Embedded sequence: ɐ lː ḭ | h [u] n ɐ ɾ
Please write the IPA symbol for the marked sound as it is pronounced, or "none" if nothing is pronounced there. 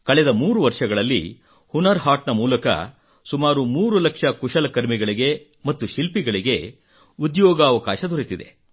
u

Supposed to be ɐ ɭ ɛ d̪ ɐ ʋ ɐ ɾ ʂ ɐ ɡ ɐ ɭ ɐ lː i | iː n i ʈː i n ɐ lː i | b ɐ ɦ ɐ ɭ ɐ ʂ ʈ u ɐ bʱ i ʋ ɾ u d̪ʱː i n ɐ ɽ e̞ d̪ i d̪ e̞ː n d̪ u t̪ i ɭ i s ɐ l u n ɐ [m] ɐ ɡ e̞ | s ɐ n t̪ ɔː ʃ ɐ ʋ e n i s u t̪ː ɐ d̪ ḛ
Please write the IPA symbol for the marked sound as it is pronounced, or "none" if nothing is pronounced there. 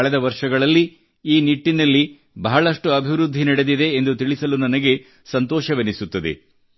n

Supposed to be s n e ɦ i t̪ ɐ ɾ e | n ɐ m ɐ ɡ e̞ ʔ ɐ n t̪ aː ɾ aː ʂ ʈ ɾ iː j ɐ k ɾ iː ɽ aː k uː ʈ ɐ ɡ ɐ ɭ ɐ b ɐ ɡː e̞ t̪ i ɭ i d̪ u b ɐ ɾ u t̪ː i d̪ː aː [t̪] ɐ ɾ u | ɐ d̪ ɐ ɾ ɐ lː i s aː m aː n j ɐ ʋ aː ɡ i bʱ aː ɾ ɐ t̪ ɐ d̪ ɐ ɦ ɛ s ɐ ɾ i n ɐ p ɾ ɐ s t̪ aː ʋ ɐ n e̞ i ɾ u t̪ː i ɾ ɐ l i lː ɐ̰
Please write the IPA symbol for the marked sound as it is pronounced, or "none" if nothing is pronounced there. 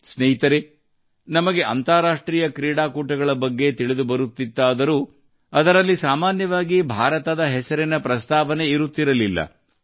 d̪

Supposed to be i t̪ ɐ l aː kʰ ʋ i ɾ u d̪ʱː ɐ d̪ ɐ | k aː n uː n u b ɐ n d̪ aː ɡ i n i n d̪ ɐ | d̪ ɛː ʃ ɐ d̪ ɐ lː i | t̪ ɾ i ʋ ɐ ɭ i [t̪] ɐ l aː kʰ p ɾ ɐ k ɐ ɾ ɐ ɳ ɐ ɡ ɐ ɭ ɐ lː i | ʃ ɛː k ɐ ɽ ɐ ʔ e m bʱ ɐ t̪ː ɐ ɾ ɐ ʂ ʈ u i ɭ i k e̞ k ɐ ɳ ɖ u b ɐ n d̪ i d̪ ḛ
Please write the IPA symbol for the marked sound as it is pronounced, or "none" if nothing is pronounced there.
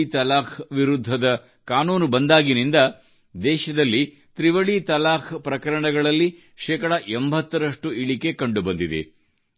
t̪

